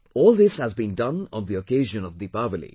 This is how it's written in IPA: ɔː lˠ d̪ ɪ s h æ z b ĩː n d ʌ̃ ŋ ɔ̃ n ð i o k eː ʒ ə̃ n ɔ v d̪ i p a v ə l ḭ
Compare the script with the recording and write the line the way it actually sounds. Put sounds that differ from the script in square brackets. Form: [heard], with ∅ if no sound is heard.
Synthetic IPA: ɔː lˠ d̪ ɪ s h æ z b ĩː n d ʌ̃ [n] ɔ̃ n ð i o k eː ʒ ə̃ n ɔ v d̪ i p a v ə l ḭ